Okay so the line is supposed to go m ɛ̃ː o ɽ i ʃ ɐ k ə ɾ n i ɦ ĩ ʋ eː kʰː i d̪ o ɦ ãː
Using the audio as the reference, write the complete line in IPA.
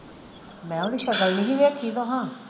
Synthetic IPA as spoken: m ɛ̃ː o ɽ i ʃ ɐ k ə l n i ɦ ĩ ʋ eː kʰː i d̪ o ɦ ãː